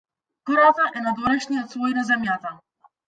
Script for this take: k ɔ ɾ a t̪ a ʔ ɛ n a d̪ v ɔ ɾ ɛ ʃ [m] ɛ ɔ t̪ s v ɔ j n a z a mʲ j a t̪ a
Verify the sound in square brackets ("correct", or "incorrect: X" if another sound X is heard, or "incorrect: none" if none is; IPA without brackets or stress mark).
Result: incorrect: ɲ